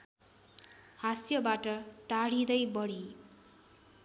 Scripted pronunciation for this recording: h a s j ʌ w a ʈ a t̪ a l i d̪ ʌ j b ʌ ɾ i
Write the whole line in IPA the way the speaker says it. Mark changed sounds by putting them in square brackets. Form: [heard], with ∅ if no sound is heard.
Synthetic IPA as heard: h a s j ʌ [b] a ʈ [ʌ] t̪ a [ɽ] i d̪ ʌ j b ʌ [ɽ] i